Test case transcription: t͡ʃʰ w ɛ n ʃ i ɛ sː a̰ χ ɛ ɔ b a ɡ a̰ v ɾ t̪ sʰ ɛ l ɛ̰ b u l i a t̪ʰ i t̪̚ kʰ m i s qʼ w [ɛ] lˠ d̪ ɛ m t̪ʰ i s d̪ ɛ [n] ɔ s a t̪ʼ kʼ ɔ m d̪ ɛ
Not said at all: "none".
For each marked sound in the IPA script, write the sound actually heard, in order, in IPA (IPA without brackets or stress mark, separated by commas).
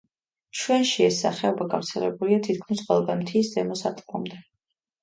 ɛ, m